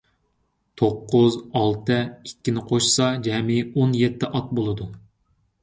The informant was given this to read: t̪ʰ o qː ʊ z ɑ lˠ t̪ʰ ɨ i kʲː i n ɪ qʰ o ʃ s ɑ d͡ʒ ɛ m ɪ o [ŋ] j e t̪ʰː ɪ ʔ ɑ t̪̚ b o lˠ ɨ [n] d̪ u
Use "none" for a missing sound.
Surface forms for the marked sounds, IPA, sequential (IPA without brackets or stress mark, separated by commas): n, none